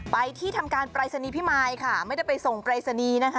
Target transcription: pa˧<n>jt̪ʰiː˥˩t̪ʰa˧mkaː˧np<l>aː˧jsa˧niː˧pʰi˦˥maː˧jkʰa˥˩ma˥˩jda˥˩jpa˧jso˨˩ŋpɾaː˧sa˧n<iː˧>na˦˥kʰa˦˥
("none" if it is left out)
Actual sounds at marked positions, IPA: none, ɾ, iː˧

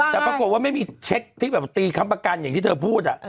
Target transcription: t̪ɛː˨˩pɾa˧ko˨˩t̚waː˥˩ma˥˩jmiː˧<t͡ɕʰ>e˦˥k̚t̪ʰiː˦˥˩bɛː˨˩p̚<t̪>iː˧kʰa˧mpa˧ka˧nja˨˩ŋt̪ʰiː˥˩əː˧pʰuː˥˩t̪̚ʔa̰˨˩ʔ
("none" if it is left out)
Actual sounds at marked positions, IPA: t͡ɕʰ, t̪

